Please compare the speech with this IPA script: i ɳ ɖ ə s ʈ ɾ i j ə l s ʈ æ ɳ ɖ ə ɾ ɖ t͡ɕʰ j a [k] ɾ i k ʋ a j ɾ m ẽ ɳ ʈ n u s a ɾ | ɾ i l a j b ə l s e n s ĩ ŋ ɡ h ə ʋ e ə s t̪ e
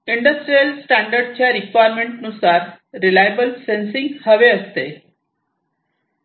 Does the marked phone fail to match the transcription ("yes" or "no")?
yes